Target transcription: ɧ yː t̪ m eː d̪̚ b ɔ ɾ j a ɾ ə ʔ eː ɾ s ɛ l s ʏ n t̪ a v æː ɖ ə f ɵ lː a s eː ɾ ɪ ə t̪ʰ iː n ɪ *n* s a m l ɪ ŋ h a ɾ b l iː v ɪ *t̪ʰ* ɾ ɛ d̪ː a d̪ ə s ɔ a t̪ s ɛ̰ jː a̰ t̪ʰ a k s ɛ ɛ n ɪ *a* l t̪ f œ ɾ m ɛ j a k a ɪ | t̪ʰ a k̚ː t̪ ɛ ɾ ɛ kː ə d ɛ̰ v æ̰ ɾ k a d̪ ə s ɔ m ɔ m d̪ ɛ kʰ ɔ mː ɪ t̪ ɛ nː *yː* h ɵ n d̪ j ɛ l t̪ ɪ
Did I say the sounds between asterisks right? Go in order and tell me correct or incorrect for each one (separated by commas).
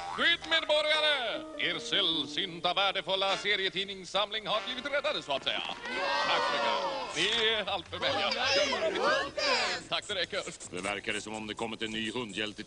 incorrect, incorrect, correct, correct